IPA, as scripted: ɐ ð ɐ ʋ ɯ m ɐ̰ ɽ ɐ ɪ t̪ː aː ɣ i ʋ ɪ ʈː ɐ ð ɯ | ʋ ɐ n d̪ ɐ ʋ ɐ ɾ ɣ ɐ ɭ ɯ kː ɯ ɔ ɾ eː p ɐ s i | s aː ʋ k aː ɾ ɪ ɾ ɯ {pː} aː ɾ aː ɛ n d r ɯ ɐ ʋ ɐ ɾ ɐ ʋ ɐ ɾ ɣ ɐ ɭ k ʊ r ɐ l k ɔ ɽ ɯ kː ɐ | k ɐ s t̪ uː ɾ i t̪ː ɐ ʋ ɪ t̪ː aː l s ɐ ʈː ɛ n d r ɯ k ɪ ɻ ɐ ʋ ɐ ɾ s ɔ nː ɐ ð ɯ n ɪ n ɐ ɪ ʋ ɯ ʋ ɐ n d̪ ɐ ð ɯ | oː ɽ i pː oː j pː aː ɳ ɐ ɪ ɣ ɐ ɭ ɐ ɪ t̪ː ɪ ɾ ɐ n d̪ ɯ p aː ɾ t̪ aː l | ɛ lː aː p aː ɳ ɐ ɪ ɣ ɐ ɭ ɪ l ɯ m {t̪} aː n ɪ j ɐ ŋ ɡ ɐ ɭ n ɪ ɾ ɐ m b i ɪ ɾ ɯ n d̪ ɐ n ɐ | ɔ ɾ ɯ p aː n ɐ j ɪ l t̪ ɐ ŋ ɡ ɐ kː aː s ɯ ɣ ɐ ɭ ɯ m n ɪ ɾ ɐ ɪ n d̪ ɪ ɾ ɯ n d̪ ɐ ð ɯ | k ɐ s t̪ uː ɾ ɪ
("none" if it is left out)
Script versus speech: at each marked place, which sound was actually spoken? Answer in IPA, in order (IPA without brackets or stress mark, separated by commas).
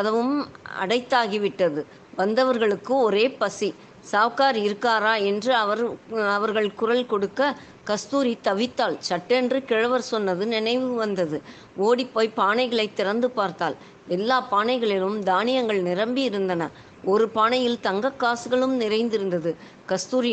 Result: kː, d̪